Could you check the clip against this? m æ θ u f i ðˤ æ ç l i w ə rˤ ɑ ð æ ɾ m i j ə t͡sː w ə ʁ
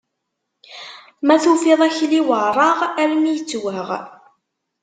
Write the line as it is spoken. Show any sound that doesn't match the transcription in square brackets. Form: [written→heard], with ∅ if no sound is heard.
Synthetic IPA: m æ θ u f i ðˤ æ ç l i w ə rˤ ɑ [ð→ʁ] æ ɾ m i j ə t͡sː w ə ʁ